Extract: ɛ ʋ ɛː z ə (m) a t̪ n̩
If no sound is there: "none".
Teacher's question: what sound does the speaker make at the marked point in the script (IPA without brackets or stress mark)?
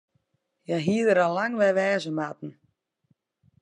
m